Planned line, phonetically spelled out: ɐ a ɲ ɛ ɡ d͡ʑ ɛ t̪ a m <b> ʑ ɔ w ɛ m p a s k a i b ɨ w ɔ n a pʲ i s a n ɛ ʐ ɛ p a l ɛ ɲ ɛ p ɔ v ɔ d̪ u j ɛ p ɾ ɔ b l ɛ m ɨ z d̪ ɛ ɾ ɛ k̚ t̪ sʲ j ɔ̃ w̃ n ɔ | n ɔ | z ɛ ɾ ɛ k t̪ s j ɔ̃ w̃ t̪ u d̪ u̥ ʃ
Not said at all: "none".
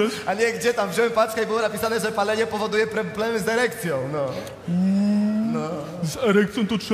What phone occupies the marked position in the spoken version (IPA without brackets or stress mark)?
v